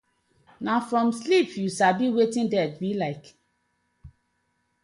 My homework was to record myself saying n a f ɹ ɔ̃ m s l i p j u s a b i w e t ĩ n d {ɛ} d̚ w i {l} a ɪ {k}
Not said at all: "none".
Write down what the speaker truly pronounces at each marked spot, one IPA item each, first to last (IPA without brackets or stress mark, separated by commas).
ɛ, l, k